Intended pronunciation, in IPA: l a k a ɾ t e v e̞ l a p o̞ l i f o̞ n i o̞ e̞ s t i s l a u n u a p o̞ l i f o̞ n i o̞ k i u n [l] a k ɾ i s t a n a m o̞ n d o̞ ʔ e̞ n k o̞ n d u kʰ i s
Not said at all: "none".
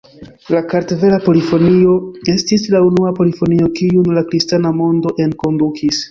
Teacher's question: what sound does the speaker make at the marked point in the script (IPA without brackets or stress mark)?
l